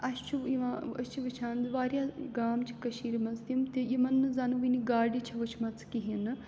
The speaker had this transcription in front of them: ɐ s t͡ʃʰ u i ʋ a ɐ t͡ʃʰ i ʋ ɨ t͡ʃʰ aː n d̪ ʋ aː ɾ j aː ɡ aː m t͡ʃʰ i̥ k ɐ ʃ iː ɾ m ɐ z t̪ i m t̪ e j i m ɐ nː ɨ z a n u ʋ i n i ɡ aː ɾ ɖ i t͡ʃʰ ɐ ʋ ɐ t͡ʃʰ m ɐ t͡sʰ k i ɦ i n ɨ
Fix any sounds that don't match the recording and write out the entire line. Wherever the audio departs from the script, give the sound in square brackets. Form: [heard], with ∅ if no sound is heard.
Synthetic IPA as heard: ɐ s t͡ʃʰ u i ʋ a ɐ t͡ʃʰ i ʋ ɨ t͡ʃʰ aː n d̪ ʋ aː ɾ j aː ɡ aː m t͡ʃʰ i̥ k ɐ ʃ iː ɾ m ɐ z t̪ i m t̪ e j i m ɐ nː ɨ z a n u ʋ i n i ɡ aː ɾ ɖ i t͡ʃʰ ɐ ʋ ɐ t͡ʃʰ m ɐ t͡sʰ k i ɦ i n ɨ